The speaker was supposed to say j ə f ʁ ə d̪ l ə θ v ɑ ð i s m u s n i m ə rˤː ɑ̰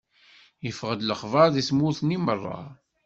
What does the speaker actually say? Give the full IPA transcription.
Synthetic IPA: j ə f ʁ ə d̪ l ə χ v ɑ ð i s m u θ n i m ə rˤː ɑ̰